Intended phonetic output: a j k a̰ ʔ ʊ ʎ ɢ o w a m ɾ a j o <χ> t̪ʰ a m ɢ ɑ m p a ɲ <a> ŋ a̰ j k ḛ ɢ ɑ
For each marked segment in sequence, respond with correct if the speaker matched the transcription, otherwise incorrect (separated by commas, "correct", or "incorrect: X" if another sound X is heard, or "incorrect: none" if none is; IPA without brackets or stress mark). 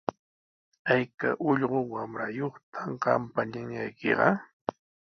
correct, correct